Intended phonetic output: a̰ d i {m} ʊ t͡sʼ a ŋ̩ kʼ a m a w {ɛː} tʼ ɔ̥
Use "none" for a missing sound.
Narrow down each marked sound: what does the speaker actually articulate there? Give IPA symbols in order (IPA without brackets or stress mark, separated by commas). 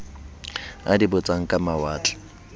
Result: b, aː